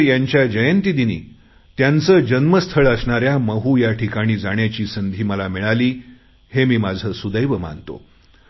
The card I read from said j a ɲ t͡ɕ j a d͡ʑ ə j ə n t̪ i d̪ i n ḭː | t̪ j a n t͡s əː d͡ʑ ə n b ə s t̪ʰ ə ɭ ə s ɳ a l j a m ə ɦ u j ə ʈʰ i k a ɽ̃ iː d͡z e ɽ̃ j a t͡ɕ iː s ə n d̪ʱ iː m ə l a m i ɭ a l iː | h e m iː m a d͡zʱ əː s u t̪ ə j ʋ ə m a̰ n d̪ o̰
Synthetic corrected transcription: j a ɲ t͡ɕ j a d͡ʑ ə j ə n t̪ i d̪ i n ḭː | t̪ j a n t͡s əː d͡ʑ ə n m ə s t̪ʰ ə ɭ ə s ɳ a ɾ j a m ə ɦ u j a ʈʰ i k a ɽ̃ iː d͡z a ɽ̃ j a t͡ɕ iː s ə n d̪ʱ iː m ə l a m i ɭ a l iː | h e m iː m a d͡zʱ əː s u d̪ ə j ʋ ə m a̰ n t̪ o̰

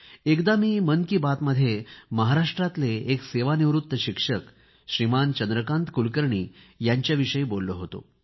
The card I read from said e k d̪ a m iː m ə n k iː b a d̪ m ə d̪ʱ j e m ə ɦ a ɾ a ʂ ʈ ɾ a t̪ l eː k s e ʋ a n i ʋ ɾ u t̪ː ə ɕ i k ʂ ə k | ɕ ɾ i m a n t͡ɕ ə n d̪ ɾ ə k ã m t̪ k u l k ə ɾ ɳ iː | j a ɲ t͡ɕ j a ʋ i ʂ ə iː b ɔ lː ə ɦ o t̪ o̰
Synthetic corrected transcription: e k d̪ a m iː m ə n k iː b a t̪ m ə d̪ʱ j e m ə ɦ a ɾ a ʂ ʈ ɾ a t̪ l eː k s e ʋ a n i ʋ ɾ u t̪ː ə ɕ i k ʂ ə k | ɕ ɾ i m a n t͡ɕ ə n d̪ ɾ ə k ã n t̪ k u l k ə ɾ ɳ iː | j a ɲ t͡ɕ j a ʋ i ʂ ə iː b o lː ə ɦ o t̪ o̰

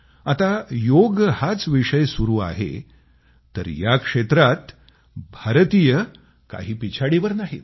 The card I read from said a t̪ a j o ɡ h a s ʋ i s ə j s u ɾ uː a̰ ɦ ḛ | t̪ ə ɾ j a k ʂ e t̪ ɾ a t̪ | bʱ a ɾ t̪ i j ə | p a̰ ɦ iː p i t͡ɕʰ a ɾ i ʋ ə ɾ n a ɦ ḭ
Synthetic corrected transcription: a t̪ a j o ɡ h a t͡s ʋ i ʂ ə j s u ɾ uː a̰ ɦ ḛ | t̪ ə ɾ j a k ʂ e t̪ ɾ a t̪ | bʱ a ɾ t̪ i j ə | k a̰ ɦ iː p i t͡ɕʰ a ɽ i ʋ ə ɾ n a ɦ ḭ

